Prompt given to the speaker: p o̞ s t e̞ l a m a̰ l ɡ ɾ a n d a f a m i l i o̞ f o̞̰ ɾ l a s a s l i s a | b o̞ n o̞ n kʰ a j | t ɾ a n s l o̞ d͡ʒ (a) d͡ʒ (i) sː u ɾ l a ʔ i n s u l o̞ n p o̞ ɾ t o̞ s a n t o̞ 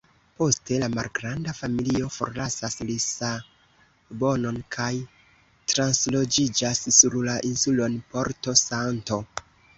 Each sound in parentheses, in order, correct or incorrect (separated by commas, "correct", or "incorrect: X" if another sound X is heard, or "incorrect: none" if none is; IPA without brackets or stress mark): incorrect: i, incorrect: a